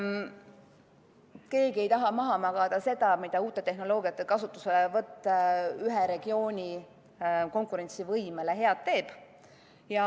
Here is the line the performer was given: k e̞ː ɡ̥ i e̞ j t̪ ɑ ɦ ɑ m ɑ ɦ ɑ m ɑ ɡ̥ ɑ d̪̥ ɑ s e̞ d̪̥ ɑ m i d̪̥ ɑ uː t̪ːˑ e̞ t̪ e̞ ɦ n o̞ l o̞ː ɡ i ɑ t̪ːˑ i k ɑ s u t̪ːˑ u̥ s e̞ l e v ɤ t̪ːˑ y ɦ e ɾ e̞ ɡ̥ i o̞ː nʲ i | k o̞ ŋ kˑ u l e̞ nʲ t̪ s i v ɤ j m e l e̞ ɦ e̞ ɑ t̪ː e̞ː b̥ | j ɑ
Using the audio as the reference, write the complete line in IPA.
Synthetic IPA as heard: k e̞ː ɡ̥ i e̞ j t̪ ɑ ɦ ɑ m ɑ ɦ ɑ m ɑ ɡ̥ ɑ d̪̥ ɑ s e̞ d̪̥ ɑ m i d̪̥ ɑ uː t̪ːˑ e̞ t̪ e̞ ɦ n o̞ l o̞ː ɡ i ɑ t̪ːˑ e k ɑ s u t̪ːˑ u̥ s e̞ l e v ɤ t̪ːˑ y ɦ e ɾ e̞ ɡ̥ i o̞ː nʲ i | k o̞ ŋ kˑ u ɾ e̞ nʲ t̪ s i v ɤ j m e l e̞ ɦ e̞ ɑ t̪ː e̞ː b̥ | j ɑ

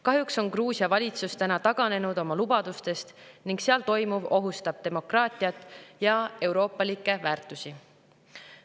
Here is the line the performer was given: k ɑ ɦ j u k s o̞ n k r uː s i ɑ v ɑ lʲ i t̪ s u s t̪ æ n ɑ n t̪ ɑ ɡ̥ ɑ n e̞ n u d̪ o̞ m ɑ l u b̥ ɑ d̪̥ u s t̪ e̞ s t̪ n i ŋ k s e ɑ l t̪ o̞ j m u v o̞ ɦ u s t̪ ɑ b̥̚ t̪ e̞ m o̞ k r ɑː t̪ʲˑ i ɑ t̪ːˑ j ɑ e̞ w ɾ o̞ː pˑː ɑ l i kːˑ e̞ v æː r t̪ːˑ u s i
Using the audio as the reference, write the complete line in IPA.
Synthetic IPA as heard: k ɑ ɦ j u k s o̞ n k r uː s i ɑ v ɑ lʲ i t̪ s u s t̪ æ n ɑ t̪ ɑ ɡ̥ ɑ n e̞ n u d̪ o̞ m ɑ l u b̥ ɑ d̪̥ u s t̪ e̞ s t̪ n i ŋ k s e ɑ l t̪ o̞ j m u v o̞ ɦ u s t̪ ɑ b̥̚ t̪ e̞ m o̞ k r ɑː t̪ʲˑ i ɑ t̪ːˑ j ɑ e̞ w ɾ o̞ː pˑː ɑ l i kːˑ e̞ v æː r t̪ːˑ u s i

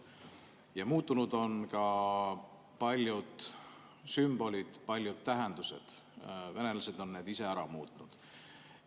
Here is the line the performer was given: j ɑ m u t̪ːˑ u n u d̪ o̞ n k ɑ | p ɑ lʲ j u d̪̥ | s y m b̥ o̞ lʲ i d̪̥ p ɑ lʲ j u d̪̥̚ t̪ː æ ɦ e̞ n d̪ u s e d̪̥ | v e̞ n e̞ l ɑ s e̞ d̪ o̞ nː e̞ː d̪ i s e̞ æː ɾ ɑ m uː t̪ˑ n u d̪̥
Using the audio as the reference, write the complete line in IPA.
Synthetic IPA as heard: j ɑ m uː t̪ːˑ u n u d̪ o̞ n k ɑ | p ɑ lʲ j u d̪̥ | s y m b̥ o̞ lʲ i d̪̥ p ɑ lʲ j u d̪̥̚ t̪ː æ ɦ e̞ n d̪ u s e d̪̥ | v e̞ n e̞ l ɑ s e̞ d̪ o̞ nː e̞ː d̪ i s e̞ æ ɾ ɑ m uː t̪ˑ n u d̪̥

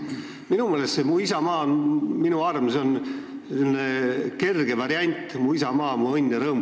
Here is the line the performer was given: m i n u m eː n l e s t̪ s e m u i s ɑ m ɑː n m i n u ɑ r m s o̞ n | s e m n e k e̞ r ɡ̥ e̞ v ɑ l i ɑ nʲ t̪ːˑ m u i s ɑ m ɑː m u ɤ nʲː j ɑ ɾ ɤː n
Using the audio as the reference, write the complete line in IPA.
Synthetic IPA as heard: m i n u m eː l e s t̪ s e m u i s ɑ m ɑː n m i n u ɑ r m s o̞ n | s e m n e k e̞ r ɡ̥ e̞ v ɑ ɾ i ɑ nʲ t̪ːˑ m u i s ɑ m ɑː m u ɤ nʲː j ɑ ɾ ɤː m

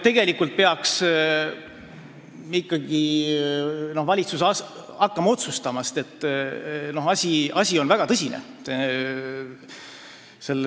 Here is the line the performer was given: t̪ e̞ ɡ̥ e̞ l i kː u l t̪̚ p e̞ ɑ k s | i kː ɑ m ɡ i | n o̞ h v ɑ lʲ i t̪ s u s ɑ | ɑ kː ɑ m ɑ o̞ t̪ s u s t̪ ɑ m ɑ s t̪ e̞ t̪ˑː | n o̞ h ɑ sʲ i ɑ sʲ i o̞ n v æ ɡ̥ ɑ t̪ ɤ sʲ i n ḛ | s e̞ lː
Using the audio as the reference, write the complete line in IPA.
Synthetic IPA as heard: t̪ e̞ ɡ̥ e̞ l i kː u l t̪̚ p e̞ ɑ k s | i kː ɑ ɡ i | n o̞ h v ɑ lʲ i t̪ s u s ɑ | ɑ kː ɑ m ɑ o̞ t̪ s u s t̪ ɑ m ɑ s t̪ e̞ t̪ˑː | n o̞ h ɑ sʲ i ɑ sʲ i o̞ n v æ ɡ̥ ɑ t̪ ɤ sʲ i n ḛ | s e̞ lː

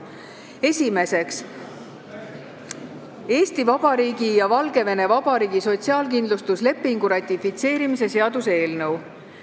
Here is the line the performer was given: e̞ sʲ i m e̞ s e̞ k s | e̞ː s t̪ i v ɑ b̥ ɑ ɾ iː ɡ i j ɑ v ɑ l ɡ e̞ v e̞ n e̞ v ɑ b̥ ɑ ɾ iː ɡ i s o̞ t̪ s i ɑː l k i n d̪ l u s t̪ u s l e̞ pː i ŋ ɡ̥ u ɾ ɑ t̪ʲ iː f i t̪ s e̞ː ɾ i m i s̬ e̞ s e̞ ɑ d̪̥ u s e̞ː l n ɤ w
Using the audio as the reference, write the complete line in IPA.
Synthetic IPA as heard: e̞ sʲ i m e̞ s e̞ k s | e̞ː s t̪ i v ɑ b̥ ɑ ɾ iː ɡ i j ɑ v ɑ l ɡ e̞ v e̞ n e̞ v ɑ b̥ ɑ ɾ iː ɡ i s o̞ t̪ s i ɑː l k i n d̪ l u s t̪ u s l e̞ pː i ŋ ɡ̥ u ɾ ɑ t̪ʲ i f i t̪ s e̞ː ɾ i m i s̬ e̞ s e̞ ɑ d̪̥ u s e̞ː l n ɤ w

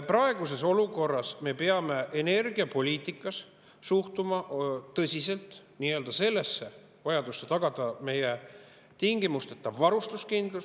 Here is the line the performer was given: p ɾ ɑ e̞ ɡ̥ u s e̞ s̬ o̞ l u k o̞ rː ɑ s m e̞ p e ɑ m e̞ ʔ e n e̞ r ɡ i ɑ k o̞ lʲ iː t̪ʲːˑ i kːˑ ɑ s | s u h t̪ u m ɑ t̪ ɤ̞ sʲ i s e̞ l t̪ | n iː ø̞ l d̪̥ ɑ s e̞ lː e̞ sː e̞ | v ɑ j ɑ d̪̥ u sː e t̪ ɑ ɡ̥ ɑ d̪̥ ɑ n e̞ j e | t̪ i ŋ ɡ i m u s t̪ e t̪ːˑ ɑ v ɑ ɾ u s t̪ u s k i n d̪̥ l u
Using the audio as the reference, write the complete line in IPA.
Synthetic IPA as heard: p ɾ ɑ e̞ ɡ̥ u s e̞ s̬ o̞ l u k o̞ rː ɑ s m e̞ p e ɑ m e̞ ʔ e n e̞ r ɡ i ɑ p o̞ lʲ iː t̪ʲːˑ i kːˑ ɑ s | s u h t̪ u m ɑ t̪ ɤ̞ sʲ i s e̞ l t̪ | n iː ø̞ l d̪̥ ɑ s e̞ lː e̞ sː e̞ | v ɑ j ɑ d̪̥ u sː e t̪ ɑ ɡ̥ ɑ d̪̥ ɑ m e̞ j e | t̪ i ŋ ɡ i m u s t̪ e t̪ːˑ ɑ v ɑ ɾ u s t̪ u s k i n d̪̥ l u

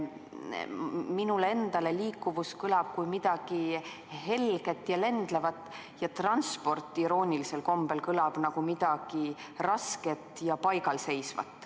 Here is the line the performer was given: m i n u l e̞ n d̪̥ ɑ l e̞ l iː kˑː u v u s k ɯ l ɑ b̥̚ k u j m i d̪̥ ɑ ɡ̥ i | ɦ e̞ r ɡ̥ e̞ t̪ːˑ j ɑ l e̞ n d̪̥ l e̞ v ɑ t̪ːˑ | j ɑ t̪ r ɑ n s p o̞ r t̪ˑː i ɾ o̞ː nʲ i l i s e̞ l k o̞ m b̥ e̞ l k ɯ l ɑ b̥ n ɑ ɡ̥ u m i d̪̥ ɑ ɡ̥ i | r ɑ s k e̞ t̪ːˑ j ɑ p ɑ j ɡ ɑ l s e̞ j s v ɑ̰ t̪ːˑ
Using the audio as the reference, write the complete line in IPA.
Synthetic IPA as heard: m i n u l e̞ n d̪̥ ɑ l e̞ l iː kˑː u v u s k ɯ l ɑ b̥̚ k u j m i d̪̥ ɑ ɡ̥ i | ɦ e̞ l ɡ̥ e̞ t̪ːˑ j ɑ l e̞ n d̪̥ l e̞ v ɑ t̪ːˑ | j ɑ t̪ r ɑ n s p o̞ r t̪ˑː i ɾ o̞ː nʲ i l i s e̞ l k o̞ m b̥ e̞ l k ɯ l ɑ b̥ n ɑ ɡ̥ u m i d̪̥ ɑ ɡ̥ i | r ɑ s k e̞ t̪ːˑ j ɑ p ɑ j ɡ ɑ l s e̞ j s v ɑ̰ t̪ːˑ

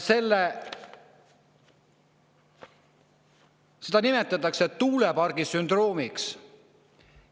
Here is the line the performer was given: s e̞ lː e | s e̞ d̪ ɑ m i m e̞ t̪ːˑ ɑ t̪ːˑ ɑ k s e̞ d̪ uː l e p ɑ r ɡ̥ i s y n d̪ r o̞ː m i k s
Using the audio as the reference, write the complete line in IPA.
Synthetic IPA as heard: s e̞ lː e | s e̞ d̪ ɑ n i m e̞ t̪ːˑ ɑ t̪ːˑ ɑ k s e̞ t̪ uː l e p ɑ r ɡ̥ i s y n d̪ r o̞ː m i k s

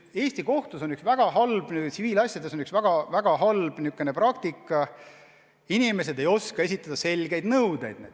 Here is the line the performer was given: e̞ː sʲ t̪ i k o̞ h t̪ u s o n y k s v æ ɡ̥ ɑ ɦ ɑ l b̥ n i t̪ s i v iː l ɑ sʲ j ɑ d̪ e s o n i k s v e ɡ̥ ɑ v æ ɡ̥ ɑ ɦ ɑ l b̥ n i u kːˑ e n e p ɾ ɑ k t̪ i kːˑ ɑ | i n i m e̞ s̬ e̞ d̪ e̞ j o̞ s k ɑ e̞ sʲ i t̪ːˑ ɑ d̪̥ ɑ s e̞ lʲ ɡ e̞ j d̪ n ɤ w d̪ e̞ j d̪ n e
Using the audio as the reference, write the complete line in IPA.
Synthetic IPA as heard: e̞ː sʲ t̪ i k o̞ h t̪ u s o n y k s v æ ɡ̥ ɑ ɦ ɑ l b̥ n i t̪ s i v iː l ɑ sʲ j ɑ d̪ e s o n y k s v æ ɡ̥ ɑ v æ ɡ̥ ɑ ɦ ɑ l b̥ n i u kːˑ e n e p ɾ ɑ k t̪ i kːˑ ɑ | i n i m e̞ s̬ e̞ d̪ e̞ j o̞ s k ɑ e̞ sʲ i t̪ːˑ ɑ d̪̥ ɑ s e̞ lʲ ɡ e̞ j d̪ n ɤ w d̪ e̞ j d̪ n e

